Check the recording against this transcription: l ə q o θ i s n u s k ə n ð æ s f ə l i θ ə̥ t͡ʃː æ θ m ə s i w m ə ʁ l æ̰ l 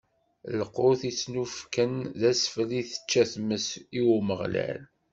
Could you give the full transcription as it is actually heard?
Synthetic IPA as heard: l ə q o θ i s n u f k ə n ð æ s f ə l i θ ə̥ t͡ʃː æ θ m ə s i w m ə ʁ l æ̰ l